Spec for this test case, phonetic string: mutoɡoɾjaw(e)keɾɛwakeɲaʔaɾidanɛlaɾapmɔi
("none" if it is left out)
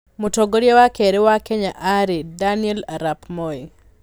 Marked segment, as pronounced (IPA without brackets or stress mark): a